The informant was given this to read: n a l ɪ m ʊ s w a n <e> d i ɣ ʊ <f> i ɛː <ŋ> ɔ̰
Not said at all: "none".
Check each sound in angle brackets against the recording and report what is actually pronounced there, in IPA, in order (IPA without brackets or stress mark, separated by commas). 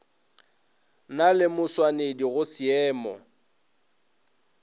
e, s, m